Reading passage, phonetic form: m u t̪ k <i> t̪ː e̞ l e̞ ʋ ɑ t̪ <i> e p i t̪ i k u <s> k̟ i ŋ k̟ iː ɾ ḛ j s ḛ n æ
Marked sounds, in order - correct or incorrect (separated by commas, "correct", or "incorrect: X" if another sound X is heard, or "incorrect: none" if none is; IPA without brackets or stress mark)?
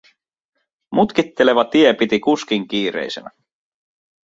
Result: correct, correct, correct